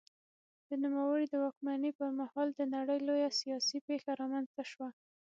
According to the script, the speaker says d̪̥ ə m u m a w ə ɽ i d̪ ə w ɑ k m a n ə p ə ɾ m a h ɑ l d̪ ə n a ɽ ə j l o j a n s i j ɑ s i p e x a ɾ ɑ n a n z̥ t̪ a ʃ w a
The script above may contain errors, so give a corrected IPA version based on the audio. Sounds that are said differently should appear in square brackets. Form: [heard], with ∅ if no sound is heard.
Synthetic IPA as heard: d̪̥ ə [n] u m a w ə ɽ i d̪ ə w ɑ k m a n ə p ə ɾ m a h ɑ l d̪ ə n a ɽ ə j l o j a [∅] s i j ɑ s i p e x a ɾ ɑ [m] a n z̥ t̪ a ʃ w a